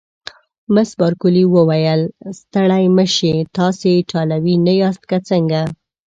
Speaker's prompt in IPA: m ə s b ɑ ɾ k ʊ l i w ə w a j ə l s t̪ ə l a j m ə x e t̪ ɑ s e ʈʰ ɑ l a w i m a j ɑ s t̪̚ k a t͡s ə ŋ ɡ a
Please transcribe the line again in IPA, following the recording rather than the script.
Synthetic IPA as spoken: m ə s b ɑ ɾ k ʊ l i w ə w a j ə l s t̪ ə ɽ a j m ə ʃ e t̪ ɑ s e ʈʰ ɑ l a w i n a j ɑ s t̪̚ k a t͡s ə ŋ ɡ a